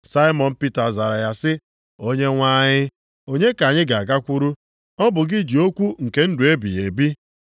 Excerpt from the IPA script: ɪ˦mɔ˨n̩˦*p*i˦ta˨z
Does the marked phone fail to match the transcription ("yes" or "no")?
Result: no